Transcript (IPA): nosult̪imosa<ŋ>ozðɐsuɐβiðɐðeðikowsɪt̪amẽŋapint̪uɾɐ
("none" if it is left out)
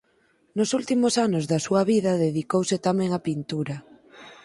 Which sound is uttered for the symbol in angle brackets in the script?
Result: n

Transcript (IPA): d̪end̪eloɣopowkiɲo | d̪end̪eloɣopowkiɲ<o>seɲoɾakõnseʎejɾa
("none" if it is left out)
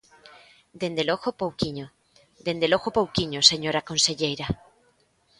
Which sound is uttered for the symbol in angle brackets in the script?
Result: o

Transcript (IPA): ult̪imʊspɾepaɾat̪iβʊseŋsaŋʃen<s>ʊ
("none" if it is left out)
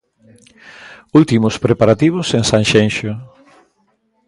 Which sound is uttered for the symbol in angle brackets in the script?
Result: ʃ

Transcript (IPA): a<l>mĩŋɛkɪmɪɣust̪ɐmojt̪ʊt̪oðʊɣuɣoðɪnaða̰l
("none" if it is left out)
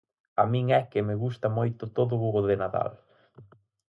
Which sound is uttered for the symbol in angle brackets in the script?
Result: none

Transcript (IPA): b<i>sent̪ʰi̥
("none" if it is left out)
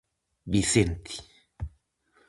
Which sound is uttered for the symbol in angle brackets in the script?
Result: i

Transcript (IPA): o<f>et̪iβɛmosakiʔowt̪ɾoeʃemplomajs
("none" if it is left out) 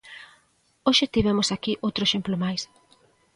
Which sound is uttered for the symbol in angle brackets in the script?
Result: ʃ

